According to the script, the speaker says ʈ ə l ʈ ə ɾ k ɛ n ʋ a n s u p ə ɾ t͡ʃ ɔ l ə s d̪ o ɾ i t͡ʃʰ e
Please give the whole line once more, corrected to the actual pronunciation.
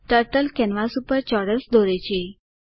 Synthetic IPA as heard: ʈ ə ɾ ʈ ə l k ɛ n ʋ a s u p ə ɾ t͡ʃ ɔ ɽ ə s d̪ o ɾ e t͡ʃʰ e